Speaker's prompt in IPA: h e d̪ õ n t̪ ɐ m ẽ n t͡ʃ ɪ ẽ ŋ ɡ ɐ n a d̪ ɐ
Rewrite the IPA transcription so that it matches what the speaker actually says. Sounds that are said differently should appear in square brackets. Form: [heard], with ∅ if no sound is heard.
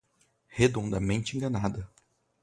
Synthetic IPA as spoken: h e d̪ õ n [d̪] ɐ m ẽ n t͡ʃ ɪ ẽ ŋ ɡ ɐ n a d̪ ɐ